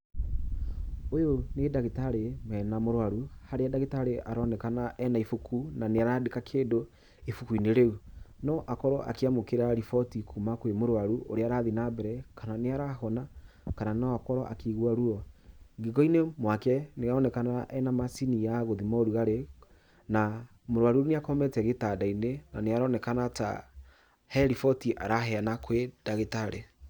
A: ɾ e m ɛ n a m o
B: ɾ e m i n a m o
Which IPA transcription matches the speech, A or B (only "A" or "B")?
A